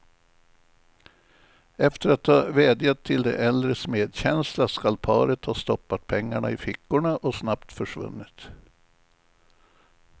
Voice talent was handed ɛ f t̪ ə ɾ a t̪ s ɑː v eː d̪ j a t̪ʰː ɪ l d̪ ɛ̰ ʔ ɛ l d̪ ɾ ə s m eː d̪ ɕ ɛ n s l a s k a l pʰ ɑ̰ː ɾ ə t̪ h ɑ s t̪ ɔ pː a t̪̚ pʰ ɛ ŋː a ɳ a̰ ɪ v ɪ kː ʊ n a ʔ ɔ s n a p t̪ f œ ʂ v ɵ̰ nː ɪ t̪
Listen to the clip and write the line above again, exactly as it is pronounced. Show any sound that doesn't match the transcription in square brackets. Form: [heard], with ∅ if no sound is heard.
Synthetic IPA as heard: ɛ f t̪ ə ɾ a t̪ [h] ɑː v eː d̪ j a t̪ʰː ɪ l d̪ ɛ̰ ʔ ɛ l d̪ ɾ ə s m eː d̪ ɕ ɛ n s l a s k a l pʰ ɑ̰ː ɾ ə t̪ h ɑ s t̪ ɔ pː a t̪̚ pʰ ɛ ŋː a ɳ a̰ ɪ [f] ɪ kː ʊ [ɳ] a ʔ ɔ s n a p t̪ f œ ʂ v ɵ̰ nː ɪ t̪